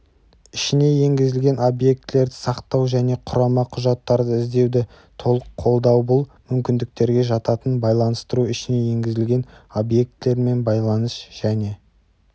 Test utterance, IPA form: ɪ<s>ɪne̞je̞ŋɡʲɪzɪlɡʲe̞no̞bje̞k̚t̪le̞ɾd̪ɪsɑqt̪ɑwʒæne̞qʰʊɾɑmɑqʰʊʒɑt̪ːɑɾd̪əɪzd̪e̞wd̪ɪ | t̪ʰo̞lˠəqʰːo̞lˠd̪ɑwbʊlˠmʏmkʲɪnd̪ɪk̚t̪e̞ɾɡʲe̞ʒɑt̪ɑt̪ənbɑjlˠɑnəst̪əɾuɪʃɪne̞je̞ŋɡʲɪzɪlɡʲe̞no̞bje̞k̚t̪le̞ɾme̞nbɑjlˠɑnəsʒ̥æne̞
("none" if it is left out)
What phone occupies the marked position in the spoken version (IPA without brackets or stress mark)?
ʃ